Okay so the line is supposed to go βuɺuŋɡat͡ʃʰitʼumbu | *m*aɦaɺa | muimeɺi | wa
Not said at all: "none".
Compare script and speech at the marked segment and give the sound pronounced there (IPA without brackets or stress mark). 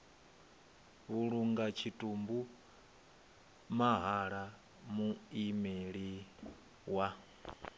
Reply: m